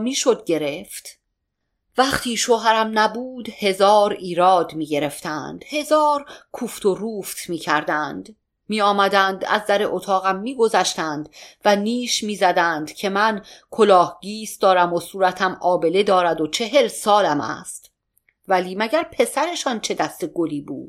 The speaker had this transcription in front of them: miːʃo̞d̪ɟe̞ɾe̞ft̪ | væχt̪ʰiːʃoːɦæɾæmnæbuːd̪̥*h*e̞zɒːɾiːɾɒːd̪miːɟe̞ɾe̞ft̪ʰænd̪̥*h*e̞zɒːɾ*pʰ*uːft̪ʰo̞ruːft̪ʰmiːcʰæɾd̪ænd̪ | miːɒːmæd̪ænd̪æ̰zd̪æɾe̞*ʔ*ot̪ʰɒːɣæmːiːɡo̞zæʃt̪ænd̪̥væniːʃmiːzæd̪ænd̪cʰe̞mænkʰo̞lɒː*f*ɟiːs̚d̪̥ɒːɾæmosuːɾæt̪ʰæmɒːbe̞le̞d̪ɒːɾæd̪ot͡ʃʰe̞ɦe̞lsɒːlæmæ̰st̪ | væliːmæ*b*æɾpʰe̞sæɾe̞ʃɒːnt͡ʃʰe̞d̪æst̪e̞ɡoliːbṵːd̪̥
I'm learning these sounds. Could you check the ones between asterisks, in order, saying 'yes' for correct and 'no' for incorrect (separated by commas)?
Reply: yes, yes, no, yes, no, no